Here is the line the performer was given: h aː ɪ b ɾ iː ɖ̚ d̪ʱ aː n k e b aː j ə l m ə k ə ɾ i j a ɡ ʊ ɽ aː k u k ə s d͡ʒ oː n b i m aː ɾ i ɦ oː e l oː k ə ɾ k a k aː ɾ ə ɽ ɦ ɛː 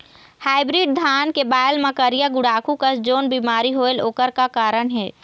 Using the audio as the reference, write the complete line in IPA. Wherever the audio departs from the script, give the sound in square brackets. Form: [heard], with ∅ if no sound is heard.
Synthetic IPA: h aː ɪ b ɾ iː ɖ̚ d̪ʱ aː n k e b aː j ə l m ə k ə ɾ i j a ɡ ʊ ɽ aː k u k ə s d͡ʒ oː n b i m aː ɾ i ɦ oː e l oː k ə ɾ k a k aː ɾ ə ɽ ɦ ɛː